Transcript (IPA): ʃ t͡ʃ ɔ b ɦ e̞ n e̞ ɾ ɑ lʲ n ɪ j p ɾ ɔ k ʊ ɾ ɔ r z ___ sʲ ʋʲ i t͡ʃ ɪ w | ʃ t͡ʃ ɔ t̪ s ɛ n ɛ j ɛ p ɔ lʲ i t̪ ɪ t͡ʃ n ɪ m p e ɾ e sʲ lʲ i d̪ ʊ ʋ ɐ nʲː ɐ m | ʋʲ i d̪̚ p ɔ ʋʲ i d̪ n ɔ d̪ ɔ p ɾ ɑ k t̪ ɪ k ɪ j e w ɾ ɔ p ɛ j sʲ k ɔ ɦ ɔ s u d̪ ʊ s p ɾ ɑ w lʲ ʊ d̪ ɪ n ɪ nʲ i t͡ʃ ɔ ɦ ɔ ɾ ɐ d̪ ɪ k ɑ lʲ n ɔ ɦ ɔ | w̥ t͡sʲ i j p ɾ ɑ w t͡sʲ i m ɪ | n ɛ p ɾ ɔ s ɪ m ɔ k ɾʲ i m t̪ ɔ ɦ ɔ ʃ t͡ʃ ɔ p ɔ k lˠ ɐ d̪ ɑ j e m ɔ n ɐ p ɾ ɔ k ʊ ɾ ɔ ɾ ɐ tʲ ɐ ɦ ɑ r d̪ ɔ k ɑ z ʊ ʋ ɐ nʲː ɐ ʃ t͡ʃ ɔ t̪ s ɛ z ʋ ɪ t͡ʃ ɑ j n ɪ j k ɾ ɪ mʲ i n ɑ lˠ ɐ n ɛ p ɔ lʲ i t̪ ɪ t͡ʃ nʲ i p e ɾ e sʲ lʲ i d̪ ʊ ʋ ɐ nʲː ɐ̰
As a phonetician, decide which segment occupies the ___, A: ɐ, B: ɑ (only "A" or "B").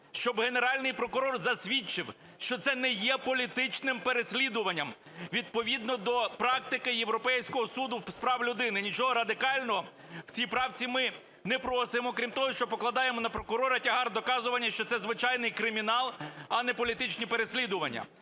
A